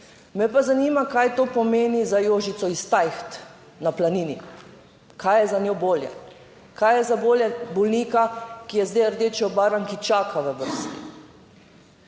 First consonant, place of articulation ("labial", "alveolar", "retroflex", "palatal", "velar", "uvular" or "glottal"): labial